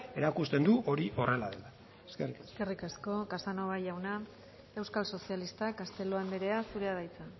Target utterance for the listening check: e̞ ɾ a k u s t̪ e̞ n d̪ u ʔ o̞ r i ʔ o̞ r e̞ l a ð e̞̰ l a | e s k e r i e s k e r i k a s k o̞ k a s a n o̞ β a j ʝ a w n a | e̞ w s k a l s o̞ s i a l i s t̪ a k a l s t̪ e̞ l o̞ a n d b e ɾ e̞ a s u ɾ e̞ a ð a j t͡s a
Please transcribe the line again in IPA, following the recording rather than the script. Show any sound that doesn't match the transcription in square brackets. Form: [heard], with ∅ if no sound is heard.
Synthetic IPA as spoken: e̞ ɾ a k u s t̪ e̞ n d̪ u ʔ o̞ [ɾ] i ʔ o̞ r e̞ l a ð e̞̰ l a | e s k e r i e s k e r i k a s k o̞ k a s a n o̞ β a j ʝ a w n a | e̞ w s k a l s o̞ s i a l i s t̪ a k a [∅] s t̪ e̞ l o̞ a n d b e ɾ e̞ a s u ɾ e̞ a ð a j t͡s a